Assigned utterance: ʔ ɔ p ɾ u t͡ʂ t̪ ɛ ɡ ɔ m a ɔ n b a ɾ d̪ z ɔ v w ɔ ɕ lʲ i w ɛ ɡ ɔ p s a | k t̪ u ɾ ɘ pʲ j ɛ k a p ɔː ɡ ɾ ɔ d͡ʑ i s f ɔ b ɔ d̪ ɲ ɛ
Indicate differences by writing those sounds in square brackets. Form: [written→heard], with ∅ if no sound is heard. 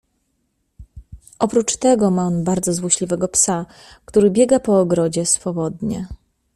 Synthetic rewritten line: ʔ ɔ p ɾ u t͡ʂ t̪ ɛ ɡ ɔ m a ɔ n b a ɾ d̪ z ɔ [v→z] w ɔ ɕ lʲ i [w→v] ɛ ɡ ɔ p s a | k t̪ u ɾ ɘ [pʲ→bʲ] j ɛ [k→ɡ] a p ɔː ɡ ɾ ɔ d͡ʑ [i→ɛ] s f ɔ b ɔ d̪ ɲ ɛ